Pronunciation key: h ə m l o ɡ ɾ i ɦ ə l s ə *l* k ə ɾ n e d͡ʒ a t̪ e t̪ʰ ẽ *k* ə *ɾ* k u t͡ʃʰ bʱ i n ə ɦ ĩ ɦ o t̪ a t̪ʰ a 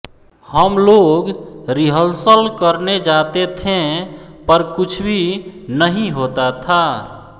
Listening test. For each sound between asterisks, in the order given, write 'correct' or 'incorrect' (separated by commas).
correct, incorrect, correct